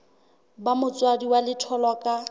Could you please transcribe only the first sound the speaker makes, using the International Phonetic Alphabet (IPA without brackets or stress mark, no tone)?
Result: b